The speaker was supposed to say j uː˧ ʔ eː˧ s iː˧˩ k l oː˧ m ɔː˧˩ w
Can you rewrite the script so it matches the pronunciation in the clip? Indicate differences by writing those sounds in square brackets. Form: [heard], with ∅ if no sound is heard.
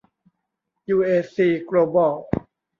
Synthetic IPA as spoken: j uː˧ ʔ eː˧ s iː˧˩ k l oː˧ [b] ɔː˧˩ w